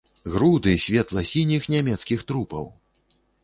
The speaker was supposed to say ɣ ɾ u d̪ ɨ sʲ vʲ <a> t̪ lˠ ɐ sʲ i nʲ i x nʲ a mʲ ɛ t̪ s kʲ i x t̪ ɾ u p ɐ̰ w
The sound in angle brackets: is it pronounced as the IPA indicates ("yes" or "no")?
no